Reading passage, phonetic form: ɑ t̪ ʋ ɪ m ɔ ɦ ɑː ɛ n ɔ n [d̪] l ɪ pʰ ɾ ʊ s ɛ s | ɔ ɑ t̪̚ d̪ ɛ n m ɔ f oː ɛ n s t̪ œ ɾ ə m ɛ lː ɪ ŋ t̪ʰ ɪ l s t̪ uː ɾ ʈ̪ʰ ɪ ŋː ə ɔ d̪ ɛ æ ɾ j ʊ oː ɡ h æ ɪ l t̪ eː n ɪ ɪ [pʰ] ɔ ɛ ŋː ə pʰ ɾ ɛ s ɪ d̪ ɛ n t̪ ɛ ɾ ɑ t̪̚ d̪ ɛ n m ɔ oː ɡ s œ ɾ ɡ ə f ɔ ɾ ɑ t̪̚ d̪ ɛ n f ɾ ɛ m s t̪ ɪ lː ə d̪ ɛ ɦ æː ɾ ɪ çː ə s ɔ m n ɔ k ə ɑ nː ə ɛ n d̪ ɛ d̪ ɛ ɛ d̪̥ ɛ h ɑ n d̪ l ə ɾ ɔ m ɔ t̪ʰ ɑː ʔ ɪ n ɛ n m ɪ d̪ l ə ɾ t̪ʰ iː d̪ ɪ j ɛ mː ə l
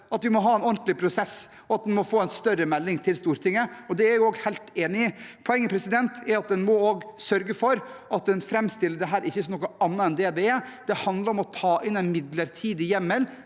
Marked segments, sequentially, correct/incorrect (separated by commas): incorrect, correct